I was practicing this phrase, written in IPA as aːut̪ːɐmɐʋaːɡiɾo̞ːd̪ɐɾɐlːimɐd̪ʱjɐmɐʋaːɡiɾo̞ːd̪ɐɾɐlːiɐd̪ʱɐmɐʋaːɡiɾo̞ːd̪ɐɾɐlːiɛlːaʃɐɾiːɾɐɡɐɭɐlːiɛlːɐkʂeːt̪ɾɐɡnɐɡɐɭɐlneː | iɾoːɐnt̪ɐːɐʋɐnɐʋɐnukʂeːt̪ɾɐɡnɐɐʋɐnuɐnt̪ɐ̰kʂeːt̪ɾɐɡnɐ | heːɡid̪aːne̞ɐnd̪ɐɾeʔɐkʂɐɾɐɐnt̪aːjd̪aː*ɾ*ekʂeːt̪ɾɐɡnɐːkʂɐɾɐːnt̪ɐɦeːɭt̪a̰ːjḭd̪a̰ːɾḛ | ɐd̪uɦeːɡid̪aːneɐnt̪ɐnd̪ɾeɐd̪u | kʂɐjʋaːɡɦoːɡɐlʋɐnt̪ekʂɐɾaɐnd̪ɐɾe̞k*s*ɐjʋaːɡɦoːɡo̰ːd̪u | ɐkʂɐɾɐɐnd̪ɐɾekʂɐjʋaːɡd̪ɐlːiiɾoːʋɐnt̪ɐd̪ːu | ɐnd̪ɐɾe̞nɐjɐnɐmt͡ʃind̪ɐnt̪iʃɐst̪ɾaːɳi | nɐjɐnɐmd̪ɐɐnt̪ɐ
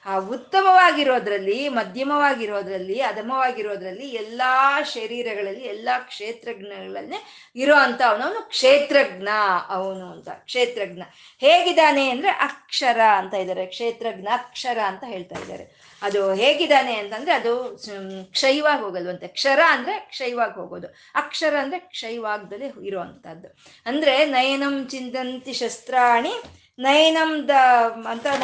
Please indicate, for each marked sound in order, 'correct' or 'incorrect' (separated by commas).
correct, incorrect